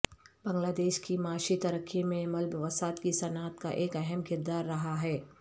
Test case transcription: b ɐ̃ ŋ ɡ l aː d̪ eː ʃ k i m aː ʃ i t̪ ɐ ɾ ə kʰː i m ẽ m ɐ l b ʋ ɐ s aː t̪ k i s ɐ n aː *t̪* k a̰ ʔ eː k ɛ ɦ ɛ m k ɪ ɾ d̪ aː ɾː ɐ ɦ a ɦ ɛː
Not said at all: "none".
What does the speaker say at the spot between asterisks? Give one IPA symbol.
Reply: t̪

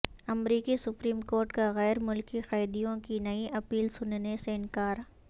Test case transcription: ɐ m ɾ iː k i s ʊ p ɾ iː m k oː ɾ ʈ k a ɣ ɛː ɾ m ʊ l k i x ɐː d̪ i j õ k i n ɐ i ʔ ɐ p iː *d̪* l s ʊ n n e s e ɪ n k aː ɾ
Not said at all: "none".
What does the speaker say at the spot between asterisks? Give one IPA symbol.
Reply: none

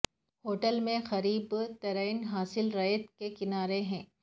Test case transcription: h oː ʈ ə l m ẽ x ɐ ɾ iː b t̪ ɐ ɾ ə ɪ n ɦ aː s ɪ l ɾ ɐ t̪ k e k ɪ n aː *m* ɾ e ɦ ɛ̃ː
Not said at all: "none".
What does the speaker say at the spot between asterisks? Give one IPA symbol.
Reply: none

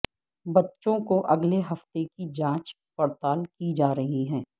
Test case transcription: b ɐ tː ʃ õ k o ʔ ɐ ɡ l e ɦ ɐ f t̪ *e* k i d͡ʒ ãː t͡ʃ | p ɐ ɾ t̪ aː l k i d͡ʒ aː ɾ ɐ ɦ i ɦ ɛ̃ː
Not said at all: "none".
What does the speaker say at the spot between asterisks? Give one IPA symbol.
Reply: e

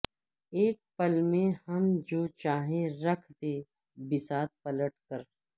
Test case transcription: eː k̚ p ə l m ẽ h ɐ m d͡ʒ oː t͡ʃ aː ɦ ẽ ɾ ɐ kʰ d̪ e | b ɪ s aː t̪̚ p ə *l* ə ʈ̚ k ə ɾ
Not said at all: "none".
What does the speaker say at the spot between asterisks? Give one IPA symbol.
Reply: l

